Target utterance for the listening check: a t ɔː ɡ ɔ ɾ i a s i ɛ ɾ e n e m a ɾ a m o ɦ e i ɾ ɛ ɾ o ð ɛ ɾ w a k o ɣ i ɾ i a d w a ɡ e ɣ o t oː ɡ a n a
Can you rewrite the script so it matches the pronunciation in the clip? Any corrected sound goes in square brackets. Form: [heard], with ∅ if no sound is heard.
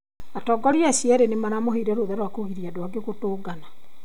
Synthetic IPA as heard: a t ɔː ɡ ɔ ɾ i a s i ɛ ɾ e n e m a ɾ a m o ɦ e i ɾ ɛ ɾ o ð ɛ ɾ w a k o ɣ i ɾ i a d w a ɡ e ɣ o t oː ɡ a n a

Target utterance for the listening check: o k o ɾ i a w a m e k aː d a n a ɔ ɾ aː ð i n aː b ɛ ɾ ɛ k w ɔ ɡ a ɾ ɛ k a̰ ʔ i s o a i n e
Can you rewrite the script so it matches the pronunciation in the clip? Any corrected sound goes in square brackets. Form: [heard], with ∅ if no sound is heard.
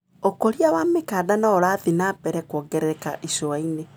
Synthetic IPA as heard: o k o ɾ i a w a m e k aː d a n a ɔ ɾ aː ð i n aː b ɛ ɾ ɛ k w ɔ ɡ [ɛ] ɾ ɛ k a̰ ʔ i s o a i n e

